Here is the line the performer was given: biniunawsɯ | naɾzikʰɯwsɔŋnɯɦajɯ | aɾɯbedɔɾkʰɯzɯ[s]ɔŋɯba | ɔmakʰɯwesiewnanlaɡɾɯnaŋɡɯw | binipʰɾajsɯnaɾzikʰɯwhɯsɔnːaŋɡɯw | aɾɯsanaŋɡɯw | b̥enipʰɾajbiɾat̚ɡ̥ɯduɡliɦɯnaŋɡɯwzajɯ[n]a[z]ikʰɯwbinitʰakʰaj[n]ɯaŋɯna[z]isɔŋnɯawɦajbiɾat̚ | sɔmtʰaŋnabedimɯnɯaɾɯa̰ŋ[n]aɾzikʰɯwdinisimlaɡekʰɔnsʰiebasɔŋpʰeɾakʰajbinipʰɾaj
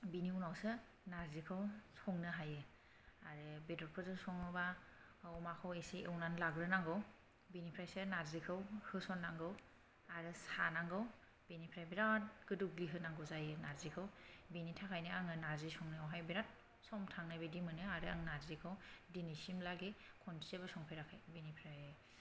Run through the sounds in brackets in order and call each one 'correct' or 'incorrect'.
correct, correct, correct, correct, correct, correct

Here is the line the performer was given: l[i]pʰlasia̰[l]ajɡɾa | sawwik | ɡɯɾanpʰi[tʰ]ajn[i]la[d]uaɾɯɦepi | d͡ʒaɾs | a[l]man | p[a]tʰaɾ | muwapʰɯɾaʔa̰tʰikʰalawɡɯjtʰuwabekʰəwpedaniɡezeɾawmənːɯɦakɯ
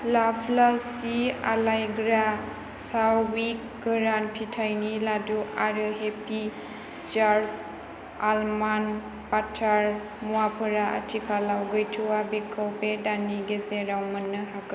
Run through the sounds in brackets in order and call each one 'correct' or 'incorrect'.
incorrect: a, correct, correct, correct, correct, correct, correct

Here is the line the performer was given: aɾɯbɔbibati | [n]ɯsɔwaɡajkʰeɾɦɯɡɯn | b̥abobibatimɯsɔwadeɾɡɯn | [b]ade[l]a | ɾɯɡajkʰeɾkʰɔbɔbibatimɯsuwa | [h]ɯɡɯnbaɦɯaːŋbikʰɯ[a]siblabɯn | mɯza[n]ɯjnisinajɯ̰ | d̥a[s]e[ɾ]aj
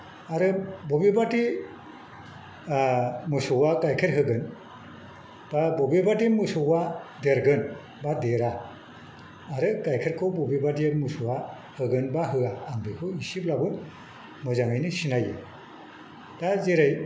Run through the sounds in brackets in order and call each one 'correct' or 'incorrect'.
incorrect: m, correct, incorrect: ɾ, correct, incorrect: i, incorrect: ŋ, incorrect: z, correct

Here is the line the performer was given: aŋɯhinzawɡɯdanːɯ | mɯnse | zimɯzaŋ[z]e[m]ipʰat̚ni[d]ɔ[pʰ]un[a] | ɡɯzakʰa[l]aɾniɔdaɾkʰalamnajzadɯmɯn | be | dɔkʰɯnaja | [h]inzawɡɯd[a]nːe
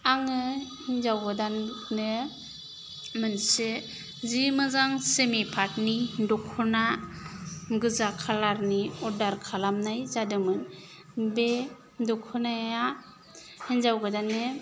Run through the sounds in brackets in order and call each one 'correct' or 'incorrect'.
incorrect: s, correct, correct, incorrect: kʰ, correct, correct, correct, correct

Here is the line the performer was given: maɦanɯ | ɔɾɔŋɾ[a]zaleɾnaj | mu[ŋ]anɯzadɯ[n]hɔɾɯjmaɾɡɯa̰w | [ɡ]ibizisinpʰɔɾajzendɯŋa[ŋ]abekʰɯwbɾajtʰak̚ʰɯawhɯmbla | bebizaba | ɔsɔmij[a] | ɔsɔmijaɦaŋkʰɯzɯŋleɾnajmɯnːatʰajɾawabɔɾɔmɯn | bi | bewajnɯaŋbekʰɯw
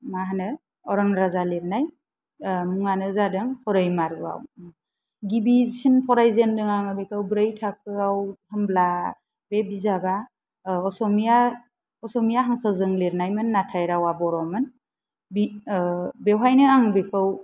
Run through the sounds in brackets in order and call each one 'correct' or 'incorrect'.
correct, correct, incorrect: ŋ, correct, correct, correct

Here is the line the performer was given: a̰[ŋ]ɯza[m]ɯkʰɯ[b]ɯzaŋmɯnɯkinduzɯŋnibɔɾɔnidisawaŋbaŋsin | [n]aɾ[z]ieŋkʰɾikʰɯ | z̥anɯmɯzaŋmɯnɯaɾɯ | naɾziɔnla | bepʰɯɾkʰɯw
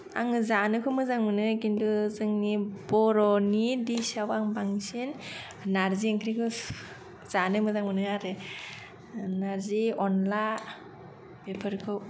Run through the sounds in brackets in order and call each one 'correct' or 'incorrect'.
correct, incorrect: n, incorrect: m, correct, correct

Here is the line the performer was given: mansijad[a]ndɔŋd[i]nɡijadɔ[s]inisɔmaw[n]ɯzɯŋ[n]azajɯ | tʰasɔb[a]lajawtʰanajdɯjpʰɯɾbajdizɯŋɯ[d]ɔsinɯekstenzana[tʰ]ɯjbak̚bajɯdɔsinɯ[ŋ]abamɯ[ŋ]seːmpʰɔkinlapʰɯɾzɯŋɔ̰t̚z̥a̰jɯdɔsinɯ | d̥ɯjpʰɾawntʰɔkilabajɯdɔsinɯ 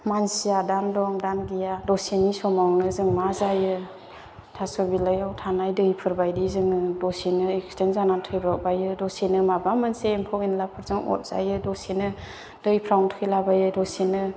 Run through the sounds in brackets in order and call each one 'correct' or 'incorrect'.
correct, incorrect: a, correct, correct, incorrect: m, incorrect: i, correct, correct, incorrect: m, incorrect: n

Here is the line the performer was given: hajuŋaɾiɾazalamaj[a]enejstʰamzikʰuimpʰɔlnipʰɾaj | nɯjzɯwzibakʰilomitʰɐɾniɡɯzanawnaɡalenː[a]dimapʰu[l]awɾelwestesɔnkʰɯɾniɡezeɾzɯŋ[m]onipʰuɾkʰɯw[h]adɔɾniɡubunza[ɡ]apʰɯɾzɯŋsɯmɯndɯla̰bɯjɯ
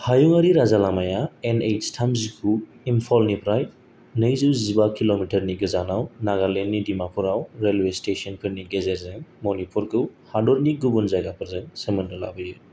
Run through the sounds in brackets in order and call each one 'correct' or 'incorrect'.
correct, incorrect: i, incorrect: ɾ, correct, correct, correct

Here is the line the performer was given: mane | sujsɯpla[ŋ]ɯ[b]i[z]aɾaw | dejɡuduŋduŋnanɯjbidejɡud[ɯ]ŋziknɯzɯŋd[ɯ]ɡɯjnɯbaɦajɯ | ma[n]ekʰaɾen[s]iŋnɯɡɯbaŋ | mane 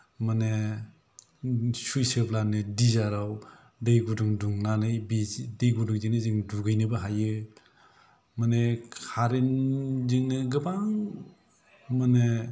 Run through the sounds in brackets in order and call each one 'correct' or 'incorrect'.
incorrect: n, incorrect: d, correct, incorrect: u, incorrect: u, correct, incorrect: z

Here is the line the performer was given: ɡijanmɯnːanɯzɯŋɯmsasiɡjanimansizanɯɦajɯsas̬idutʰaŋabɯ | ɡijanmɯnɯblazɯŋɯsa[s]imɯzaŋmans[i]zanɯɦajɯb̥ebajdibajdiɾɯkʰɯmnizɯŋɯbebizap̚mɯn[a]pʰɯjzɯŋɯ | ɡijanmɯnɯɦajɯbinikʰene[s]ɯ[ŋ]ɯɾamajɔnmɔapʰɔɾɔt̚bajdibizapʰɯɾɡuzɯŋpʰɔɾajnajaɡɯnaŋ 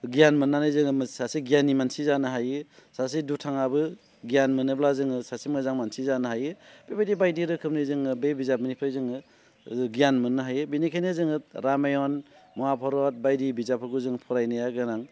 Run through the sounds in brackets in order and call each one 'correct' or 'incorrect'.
correct, correct, incorrect: i, incorrect: z, correct

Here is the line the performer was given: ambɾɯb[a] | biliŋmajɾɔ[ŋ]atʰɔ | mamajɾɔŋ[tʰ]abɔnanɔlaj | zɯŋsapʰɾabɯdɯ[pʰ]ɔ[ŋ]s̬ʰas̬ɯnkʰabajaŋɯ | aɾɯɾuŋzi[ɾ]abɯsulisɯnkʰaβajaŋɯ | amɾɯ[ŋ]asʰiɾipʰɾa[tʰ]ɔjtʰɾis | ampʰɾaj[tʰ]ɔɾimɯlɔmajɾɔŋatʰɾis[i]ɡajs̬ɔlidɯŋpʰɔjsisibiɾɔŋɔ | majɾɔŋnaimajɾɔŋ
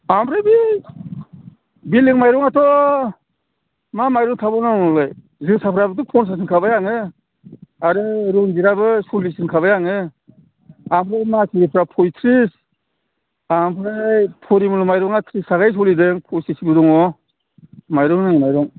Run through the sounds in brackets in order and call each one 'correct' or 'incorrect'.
incorrect: i, correct, correct, correct, incorrect: n, correct, incorrect: m, incorrect: pʰ, incorrect: pʰ, incorrect: a

